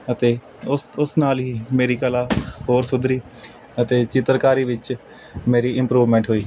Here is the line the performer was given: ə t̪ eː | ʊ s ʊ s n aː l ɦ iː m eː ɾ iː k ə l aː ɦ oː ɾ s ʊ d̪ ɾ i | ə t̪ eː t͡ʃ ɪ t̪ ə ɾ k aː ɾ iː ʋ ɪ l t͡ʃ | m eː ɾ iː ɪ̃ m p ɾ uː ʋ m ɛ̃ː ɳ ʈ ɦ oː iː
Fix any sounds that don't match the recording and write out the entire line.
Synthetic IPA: ə t̪ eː | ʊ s ʊ s n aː l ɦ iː m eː ɾ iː k ə l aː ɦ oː ɾ s ʊ d̪ ɾ iː | ə t̪ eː t͡ʃ ɪ t̪ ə ɾ k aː ɾ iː ʋ ɪ t͡ʃ | m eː ɾ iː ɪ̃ m p ɾ uː ʋ m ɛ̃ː ɳ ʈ ɦ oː iː